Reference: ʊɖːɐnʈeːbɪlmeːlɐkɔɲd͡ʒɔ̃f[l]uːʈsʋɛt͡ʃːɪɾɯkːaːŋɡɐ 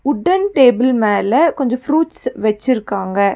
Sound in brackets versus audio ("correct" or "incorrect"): incorrect